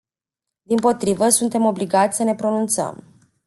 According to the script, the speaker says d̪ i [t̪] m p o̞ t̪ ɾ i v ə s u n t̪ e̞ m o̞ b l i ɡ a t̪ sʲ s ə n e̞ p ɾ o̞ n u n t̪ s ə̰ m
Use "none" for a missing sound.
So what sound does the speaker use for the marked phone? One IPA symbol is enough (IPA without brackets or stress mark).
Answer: none